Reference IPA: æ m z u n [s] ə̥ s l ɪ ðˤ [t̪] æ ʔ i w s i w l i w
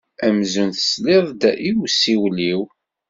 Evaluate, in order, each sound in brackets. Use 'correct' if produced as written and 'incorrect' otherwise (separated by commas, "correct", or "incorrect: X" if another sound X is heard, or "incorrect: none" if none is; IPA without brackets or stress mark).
incorrect: θ, incorrect: d̪